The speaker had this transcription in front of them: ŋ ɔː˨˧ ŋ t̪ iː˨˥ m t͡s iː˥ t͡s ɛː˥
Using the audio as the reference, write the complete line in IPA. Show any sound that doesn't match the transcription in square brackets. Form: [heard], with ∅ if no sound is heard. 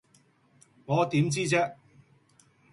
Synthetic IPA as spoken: ŋ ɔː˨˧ [∅] t̪ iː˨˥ m t͡s iː˥ t͡s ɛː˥